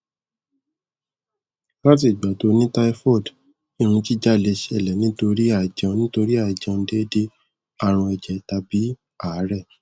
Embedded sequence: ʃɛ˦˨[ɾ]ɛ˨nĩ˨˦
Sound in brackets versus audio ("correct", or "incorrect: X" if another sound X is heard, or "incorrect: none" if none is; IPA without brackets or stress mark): incorrect: l